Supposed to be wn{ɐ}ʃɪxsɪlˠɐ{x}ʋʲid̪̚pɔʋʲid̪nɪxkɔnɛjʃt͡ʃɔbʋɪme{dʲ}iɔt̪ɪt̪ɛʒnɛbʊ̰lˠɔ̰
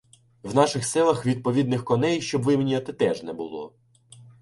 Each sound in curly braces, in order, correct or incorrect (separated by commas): incorrect, correct, incorrect